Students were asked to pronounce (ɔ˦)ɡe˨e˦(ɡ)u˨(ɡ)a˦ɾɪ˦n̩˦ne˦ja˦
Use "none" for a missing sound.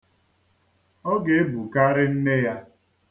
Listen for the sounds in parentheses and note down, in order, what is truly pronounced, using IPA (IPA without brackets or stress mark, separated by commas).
ɔ˦, b, k